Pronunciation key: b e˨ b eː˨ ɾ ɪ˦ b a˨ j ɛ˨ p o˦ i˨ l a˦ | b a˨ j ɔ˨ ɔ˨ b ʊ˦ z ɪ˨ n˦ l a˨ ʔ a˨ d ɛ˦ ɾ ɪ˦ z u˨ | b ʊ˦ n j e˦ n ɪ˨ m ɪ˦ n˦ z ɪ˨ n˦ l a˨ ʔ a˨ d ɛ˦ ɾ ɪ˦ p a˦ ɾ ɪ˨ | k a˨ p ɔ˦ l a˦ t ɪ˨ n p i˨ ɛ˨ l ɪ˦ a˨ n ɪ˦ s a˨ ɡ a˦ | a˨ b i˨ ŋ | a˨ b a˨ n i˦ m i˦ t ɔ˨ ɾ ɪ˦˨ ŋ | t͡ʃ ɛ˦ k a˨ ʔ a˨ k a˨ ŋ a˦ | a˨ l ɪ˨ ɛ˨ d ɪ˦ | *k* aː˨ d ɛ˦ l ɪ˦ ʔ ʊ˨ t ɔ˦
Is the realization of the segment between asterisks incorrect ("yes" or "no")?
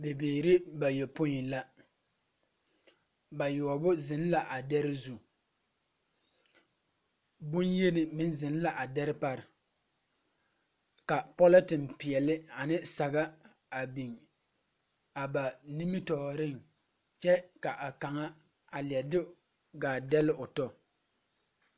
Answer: yes